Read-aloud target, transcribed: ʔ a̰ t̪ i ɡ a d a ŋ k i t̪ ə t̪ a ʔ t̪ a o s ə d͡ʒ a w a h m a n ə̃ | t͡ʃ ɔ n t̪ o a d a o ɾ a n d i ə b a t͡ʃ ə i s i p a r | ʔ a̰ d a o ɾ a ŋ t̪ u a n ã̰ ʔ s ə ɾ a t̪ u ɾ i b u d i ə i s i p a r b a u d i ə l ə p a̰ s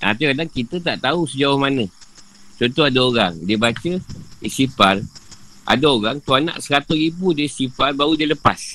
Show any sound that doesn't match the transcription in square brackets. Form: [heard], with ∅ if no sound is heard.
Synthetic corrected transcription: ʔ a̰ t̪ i [k] a d a ŋ k i t̪ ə t̪ a ʔ t̪ a [u] s ə d͡ʒ a w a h m a n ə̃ | t͡ʃ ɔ n t̪ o a d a o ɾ a [ŋ] d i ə b a t͡ʃ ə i s i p a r | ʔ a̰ d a o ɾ a ŋ t̪ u a n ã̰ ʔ s ə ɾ a t̪ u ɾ i b u d i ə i s i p a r b a u d i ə l ə p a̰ s